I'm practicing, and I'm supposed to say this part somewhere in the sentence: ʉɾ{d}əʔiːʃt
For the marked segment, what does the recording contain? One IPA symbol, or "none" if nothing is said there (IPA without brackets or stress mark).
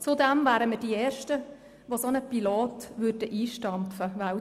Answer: d